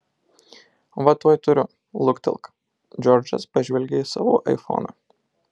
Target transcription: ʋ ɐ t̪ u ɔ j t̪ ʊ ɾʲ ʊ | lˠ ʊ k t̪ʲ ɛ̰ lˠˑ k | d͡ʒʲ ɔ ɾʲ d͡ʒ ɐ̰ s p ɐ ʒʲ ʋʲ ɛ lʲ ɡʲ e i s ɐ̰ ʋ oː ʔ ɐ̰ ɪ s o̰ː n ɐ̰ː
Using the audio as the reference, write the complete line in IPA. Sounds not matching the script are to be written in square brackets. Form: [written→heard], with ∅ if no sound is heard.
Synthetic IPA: ʋ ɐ t̪ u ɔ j t̪ ʊ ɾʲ ʊ | lˠ ʊ k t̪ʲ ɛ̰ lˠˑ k | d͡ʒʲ ɔ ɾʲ d͡ʒ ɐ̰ s p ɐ ʒʲ ʋʲ ɛ lʲ ɡʲ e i s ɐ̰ ʋ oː ʔ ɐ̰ ɪ [s→f] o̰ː n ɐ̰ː